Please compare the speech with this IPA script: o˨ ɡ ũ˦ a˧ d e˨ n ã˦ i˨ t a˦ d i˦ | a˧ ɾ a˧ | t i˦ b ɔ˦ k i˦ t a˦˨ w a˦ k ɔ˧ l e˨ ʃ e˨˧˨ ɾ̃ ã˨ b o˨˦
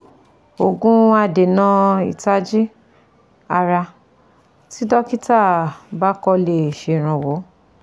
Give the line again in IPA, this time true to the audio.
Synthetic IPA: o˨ ɡ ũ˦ a˧ d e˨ n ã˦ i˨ t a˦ d͡ʒ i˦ | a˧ ɾ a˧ | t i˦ d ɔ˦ k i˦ t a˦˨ b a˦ k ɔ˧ l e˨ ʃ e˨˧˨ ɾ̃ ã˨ w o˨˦